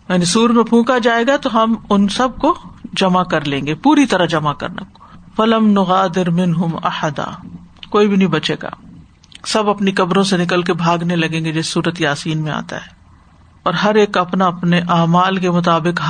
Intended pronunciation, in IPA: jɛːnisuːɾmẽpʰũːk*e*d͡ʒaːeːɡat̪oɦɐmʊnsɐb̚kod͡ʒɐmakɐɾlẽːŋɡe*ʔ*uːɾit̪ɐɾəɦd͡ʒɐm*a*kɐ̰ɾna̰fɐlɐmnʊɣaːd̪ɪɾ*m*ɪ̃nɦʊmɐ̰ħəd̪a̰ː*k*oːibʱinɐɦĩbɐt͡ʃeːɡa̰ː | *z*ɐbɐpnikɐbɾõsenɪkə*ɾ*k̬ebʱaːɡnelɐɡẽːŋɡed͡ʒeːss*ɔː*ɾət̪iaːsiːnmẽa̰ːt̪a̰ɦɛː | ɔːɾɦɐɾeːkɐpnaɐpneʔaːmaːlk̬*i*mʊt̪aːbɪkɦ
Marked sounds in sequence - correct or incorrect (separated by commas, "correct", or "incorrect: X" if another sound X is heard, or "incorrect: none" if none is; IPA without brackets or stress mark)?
incorrect: a, incorrect: p, correct, correct, correct, incorrect: s, incorrect: l, incorrect: uː, incorrect: e